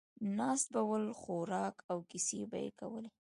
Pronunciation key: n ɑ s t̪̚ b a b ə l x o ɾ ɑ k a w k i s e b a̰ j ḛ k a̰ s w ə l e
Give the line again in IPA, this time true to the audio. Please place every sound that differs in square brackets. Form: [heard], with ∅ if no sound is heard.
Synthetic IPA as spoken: n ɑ s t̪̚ b a [w] ə l x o ɾ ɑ k a w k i s e b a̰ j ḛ k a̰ [∅] w ə l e